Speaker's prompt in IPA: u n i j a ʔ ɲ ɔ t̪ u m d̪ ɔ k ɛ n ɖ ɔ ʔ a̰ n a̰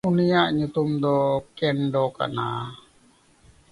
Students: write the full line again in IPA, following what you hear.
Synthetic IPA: u n i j a ʔ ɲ u t̪ u m d̪ ɔ k ɛ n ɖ ɔ k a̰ n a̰